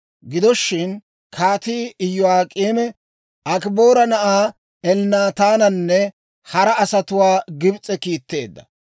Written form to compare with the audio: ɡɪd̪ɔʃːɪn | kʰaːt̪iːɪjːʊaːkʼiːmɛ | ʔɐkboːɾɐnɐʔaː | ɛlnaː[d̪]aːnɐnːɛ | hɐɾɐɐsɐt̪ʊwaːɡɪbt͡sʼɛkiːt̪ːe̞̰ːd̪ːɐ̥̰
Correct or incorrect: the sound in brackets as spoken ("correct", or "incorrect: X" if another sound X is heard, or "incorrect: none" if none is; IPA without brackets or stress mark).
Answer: incorrect: t̪